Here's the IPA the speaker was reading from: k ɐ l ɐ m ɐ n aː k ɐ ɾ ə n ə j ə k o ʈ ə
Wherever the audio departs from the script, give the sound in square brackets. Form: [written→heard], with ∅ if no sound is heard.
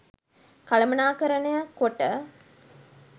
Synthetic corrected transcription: k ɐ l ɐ m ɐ n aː k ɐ ɾ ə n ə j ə k o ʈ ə